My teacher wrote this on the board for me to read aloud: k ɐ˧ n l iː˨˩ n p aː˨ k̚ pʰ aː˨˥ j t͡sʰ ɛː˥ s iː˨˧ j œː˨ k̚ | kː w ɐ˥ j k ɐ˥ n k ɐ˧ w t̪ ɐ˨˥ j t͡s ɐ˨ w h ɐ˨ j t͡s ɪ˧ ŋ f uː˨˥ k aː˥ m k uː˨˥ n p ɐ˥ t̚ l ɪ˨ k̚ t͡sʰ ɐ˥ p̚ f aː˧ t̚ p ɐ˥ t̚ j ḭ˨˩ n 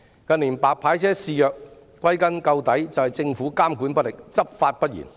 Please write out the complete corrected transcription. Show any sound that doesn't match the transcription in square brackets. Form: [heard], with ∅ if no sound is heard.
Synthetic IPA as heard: k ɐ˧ n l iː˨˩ n p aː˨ k̚ pʰ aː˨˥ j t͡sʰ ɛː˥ s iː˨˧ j œː˨ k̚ | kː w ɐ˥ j k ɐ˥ n k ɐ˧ w t̪ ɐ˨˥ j t͡s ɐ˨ w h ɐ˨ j t͡s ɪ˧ ŋ f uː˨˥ k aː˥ m k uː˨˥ n p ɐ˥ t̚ l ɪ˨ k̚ [t͡s] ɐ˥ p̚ f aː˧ t̚ p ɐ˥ t̚ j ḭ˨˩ n